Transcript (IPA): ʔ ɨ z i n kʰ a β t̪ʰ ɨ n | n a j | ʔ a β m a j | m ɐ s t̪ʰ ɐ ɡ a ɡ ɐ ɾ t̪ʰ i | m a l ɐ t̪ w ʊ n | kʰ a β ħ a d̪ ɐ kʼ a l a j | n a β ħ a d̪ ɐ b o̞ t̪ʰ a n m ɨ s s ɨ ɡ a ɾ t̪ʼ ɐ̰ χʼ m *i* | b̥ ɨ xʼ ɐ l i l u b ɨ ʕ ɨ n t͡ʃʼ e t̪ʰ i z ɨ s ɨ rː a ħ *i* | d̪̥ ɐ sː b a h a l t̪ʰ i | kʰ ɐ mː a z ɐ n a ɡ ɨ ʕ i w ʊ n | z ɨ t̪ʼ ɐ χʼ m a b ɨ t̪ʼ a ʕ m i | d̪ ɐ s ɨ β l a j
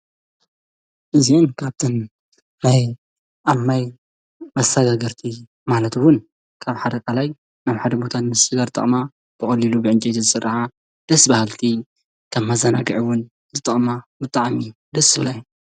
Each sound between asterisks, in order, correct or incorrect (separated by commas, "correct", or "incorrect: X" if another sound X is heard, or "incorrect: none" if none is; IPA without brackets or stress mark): incorrect: a, incorrect: a